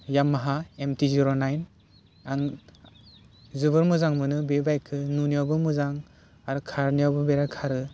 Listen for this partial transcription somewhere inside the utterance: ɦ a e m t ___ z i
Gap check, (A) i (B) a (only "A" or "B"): A